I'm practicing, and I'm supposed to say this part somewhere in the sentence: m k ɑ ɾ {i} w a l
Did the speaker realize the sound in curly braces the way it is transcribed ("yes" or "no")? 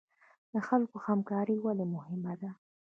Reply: yes